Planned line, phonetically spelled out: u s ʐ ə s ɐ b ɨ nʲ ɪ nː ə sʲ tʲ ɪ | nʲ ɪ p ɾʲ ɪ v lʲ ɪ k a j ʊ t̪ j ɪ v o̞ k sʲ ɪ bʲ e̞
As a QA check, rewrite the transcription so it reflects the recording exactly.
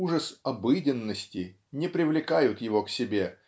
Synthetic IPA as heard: u ʐ ə s ɐ b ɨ dʲ ɪ nː ə sʲ tʲ ɪ | nʲ ɪ p ɾʲ ɪ v lʲ ɪ k a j ʊ t̪ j ɪ v o̞ k sʲ ɪ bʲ e̞

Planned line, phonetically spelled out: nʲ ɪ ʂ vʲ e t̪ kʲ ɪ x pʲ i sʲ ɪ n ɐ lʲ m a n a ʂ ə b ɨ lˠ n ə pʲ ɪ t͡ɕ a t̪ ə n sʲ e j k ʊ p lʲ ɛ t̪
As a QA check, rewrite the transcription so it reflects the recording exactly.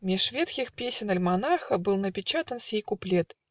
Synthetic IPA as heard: mʲ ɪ ʂ vʲ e t̪ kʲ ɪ x pʲ e sʲ ɪ n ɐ lʲ m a n a x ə b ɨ lˠ n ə pʲ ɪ t͡ɕ a t̪ ə n sʲ e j k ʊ p lʲ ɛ t̪

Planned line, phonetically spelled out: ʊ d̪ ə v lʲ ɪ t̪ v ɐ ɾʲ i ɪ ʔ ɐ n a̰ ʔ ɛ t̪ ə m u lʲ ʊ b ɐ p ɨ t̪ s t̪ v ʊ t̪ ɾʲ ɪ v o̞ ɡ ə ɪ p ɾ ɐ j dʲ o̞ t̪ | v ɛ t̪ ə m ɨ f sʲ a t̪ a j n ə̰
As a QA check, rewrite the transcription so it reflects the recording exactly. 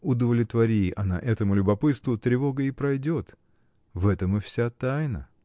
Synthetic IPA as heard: ʊ d̪ ə v lʲ ɪ t̪ v ɐ ɾʲ i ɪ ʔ ɐ n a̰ ʔ ɛ t̪ ə m ʊ lʲ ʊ b ɐ p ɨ t̪ s t̪ v ʊ t̪ ɾʲ ɪ v o̞ ɡ ə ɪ p ɾ ɐ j dʲ o̞ t̪ | v ɛ t̪ ə m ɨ f sʲ a t̪ a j n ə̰

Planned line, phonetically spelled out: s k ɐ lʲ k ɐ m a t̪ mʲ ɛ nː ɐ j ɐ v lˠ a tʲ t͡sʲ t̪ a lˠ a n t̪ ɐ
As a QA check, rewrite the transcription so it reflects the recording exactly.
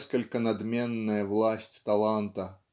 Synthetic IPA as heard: s k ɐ lʲ k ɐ n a d̪ mʲ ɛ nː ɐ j ɐ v lˠ a sʲ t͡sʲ t̪ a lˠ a n t̪ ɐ

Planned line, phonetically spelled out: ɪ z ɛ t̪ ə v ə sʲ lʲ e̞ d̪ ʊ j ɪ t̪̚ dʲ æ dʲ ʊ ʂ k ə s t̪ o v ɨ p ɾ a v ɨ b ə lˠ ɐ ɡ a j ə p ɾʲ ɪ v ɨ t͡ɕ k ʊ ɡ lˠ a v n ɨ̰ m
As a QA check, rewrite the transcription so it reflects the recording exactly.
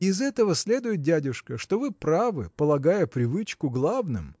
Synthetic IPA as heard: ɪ z ɛ t̪ ə v ə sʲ lʲ e̞ d̪ ʊ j ɪ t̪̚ dʲ æ dʲ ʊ ʂ k ə ʂ t̪ o v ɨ p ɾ a v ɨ p ə lˠ ɐ ɡ a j ə p ɾʲ ɪ v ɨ t͡ɕ k ʊ ɡ lˠ a v n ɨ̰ m

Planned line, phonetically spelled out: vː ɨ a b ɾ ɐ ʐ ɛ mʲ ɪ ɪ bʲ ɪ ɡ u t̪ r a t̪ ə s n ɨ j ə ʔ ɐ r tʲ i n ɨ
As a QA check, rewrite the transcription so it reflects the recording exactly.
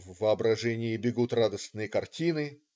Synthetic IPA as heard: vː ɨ ɐ b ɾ ɐ ʐ ɛ nʲ ɪ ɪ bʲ ɪ ɡ u t̪ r a d̪ ə s n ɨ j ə k ɐ r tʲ i n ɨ

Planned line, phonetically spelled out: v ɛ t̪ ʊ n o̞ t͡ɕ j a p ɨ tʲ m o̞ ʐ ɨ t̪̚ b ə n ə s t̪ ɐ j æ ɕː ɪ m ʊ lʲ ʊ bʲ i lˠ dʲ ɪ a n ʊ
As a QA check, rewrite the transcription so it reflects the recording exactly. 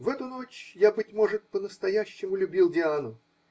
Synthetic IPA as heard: v ɛ t̪ ʊ n o̞ t͡ɕ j a b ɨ tʲ m o̞ ʐ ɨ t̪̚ p ə n ə s t̪ ɐ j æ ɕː ɪ m ʊ lʲ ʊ bʲ i lˠ dʲ ɪ a n ʊ

